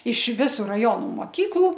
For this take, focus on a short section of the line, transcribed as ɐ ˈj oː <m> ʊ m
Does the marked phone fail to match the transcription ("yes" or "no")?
yes